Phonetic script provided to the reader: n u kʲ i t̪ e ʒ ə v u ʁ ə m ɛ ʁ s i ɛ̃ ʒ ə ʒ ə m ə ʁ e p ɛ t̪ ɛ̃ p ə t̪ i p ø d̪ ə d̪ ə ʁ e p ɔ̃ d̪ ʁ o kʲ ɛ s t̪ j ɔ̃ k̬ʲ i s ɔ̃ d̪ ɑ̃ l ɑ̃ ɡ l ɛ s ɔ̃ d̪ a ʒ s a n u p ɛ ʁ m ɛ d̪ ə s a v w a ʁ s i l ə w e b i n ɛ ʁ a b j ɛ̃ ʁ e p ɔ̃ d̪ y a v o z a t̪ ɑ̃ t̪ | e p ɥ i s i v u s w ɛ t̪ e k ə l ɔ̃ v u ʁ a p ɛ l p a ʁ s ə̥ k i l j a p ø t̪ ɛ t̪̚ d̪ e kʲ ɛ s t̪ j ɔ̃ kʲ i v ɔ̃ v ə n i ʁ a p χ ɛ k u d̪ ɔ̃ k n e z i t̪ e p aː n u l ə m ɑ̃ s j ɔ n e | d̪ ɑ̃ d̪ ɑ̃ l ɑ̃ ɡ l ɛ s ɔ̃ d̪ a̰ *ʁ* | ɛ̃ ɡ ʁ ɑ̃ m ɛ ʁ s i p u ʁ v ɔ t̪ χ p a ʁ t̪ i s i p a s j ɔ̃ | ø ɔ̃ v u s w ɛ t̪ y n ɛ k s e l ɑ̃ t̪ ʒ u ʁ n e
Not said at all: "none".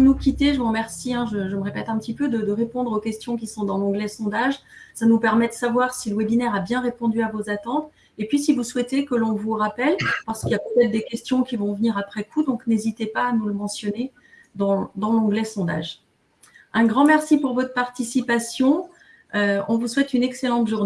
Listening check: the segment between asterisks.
ʒ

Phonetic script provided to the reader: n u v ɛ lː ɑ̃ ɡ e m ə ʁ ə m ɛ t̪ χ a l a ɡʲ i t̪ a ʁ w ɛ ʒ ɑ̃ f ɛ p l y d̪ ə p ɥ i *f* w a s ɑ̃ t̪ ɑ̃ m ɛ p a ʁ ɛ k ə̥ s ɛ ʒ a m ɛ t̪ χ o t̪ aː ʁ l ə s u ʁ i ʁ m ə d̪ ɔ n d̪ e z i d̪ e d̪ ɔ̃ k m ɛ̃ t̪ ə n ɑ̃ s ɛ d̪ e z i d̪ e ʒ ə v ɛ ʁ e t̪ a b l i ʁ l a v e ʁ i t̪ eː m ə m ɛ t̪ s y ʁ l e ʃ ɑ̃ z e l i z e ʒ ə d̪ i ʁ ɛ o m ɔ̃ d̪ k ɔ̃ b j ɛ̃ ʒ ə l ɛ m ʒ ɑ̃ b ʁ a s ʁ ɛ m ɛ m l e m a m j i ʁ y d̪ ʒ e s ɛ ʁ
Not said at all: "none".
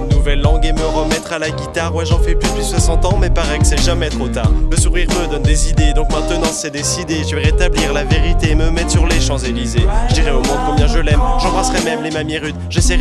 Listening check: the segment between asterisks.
s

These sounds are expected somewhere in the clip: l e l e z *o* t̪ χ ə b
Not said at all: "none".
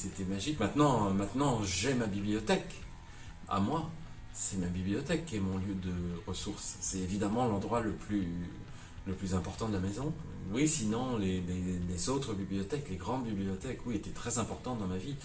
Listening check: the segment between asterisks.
o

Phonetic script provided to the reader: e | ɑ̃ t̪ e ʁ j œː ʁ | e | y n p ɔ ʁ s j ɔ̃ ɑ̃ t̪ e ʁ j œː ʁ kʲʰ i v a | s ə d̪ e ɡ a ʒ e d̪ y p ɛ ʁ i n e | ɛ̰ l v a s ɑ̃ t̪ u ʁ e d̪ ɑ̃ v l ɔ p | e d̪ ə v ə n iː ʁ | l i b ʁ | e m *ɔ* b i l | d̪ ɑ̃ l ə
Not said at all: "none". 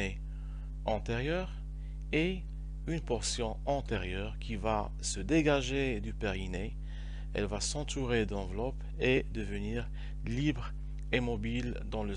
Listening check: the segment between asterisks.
ɔ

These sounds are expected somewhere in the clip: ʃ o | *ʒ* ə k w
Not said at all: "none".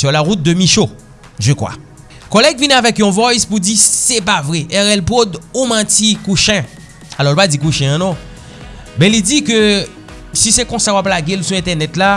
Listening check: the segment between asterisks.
ʒ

